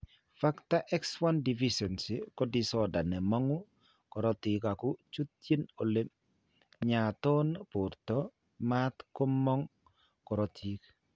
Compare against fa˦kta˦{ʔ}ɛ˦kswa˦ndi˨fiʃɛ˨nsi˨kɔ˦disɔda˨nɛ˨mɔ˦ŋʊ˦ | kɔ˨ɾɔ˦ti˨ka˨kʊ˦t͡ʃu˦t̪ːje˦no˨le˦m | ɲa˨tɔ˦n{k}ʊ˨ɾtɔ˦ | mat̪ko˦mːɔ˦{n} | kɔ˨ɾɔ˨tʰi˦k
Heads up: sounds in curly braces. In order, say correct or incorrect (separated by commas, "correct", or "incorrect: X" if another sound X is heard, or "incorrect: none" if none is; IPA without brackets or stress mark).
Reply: correct, incorrect: p, incorrect: ŋ